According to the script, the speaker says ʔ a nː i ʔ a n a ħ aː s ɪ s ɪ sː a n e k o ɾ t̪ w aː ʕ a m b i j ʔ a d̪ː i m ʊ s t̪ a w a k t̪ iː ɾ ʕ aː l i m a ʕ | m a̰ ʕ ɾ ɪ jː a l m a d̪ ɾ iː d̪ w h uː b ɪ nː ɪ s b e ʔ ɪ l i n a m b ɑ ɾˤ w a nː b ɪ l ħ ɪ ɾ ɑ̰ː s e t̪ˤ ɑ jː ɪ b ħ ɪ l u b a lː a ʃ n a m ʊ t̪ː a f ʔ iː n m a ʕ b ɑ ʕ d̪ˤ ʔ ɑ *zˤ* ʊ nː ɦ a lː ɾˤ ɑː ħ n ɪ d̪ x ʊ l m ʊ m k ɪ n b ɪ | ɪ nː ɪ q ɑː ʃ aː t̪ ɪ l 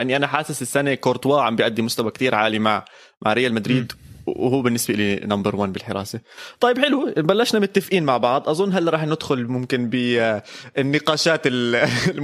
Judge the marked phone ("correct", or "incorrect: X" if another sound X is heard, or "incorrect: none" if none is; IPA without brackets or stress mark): correct